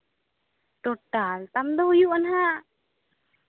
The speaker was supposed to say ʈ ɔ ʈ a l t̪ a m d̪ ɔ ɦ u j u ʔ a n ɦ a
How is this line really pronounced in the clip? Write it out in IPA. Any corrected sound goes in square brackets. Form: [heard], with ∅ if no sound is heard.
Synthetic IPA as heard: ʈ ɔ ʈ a l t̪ a m d̪ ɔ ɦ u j u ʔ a n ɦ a